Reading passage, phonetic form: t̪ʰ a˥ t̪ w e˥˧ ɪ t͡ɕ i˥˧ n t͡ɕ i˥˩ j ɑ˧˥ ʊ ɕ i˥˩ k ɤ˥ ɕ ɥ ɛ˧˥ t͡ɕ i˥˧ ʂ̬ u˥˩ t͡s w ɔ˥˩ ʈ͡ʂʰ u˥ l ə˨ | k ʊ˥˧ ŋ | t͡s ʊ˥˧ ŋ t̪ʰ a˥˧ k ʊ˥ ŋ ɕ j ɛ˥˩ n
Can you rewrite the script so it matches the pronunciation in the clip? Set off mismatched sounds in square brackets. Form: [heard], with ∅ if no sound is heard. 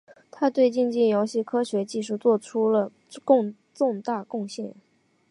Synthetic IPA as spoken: t̪ʰ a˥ t̪ w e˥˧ ɪ t͡ɕ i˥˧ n t͡ɕ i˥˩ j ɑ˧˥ ʊ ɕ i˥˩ [kʰ] ɤ˥ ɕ ɥ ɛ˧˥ t͡ɕ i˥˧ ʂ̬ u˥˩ t͡s w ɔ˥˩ ʈ͡ʂʰ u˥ l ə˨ | k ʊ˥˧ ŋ | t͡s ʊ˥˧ ŋ [t̪] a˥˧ k [ʊ˥˧] ŋ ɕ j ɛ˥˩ n